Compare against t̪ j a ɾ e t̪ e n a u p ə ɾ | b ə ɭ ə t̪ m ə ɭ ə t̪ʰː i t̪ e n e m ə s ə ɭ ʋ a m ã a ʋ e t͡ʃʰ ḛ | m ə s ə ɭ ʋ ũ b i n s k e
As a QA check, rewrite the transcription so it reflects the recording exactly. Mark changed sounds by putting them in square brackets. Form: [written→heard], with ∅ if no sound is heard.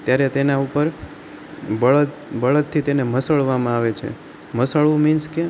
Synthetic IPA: t̪ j a ɾ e t̪ e n a u p ə ɾ | b ə ɭ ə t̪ [m→b] ə ɭ ə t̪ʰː i t̪ e n e m ə s ə ɭ ʋ a m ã a ʋ e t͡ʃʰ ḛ | m ə s ə ɭ ʋ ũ [b→m] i n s k e

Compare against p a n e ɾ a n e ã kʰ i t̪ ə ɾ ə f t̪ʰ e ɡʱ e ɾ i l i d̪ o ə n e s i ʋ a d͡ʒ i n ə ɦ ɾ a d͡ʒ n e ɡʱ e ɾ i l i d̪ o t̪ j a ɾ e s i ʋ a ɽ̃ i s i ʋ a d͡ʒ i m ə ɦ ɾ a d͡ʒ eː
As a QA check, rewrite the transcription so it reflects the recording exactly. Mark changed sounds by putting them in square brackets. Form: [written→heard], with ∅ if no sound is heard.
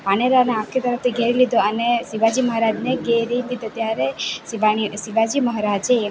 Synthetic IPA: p a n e ɾ a n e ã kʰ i t̪ ə ɾ ə f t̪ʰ [e→i] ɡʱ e ɾ i l i d̪ o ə n e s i ʋ a d͡ʒ i [n→m] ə ɦ ɾ a d͡ʒ n e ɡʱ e ɾ i l i d̪ o t̪ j a ɾ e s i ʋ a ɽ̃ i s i ʋ a d͡ʒ i m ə ɦ ɾ a d͡ʒ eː

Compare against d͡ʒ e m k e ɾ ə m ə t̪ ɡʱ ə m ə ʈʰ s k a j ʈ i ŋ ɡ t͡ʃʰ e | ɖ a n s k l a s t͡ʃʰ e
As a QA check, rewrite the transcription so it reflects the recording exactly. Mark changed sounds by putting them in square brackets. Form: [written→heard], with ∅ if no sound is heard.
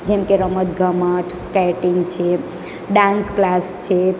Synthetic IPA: d͡ʒ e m k e ɾ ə m ə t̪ ɡʱ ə m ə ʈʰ s k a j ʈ i ŋ ɡ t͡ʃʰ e | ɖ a n s k l a s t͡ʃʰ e

